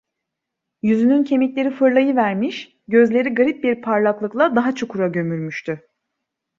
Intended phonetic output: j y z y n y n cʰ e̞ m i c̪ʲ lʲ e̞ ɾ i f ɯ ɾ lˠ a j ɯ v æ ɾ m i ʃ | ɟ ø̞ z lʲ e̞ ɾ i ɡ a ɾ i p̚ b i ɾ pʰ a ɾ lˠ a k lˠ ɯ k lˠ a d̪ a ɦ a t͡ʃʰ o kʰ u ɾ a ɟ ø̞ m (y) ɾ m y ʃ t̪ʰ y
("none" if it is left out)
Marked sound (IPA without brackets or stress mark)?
y